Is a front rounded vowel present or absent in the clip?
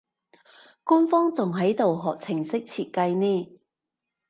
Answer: absent